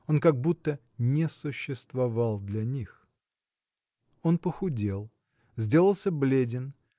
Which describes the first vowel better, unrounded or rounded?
rounded